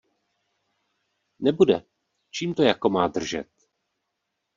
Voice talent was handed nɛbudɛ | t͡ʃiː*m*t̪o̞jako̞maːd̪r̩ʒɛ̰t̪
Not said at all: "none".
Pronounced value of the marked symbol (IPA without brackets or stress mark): m